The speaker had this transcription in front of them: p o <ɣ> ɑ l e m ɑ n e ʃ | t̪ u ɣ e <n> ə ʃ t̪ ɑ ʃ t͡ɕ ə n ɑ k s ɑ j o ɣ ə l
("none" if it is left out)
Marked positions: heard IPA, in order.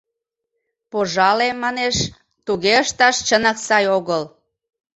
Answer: ʒ, none

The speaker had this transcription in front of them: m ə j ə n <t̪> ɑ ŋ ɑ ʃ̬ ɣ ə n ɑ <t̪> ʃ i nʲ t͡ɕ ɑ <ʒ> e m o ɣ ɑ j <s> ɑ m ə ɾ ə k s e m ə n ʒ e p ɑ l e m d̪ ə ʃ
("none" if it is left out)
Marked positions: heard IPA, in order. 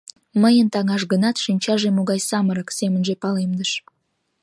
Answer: t̪, t̪, ʒ, s

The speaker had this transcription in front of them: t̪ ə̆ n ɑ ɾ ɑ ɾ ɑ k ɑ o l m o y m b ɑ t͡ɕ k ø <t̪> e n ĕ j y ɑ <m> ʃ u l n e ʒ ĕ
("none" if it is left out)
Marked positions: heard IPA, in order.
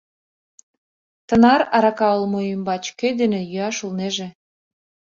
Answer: d̪, none

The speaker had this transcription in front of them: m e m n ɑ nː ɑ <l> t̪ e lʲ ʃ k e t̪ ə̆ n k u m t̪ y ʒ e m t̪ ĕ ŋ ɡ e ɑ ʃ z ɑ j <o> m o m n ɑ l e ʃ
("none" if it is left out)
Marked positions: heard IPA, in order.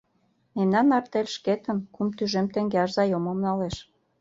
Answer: r, o

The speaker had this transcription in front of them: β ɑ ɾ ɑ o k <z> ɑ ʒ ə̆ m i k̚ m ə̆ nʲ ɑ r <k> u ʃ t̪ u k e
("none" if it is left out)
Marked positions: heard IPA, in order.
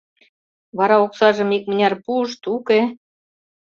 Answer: s, p

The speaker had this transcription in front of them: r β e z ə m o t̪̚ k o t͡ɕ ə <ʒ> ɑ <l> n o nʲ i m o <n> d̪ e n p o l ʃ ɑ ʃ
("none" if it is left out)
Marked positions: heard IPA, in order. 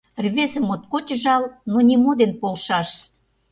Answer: ʒ, l, none

